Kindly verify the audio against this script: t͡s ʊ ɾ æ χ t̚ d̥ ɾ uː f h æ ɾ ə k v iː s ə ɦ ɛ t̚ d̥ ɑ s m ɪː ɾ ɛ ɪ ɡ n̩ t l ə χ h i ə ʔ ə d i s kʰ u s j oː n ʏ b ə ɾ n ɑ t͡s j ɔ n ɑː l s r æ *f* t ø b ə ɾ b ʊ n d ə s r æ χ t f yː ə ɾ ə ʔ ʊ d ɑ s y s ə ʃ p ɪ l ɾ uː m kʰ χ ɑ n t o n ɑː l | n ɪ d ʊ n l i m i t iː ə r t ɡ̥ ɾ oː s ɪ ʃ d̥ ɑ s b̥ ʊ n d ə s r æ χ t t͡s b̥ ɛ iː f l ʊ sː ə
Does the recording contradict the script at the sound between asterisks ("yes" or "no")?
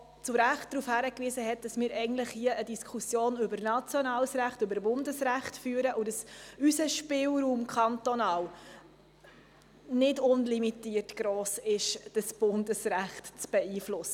yes